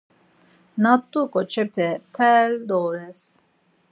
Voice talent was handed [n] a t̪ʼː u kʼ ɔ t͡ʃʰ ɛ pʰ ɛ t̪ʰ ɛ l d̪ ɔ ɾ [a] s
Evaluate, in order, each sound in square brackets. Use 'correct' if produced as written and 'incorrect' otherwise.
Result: correct, incorrect: ɛ

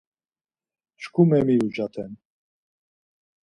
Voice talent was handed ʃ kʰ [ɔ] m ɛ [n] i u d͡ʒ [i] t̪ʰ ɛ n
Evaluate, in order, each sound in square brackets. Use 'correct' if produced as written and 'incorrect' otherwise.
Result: incorrect: u, incorrect: m, incorrect: a

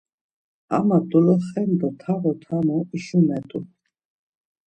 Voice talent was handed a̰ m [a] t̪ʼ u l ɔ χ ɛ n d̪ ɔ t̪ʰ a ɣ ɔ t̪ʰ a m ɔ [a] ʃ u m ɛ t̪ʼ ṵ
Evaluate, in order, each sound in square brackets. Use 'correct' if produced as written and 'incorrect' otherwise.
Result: correct, incorrect: i

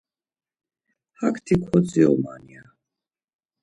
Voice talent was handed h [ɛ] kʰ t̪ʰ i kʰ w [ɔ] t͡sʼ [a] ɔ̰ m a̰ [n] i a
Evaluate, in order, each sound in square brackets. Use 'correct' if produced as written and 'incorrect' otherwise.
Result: incorrect: a, correct, incorrect: i, correct

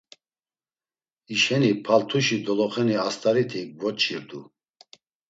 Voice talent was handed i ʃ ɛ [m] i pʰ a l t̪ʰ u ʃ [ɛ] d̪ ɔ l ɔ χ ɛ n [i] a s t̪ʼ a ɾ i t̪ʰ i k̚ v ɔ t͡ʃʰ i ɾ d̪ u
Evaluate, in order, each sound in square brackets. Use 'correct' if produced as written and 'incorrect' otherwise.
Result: incorrect: n, incorrect: i, correct

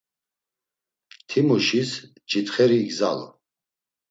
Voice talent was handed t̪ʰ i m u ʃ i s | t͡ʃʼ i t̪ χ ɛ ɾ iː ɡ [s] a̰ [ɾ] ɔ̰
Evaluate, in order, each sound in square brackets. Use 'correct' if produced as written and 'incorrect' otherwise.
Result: incorrect: z, incorrect: l

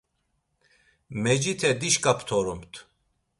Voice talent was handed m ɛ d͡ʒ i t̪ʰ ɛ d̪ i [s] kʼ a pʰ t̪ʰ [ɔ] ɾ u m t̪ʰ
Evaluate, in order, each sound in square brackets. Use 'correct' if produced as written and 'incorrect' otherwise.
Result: incorrect: ʃ, correct

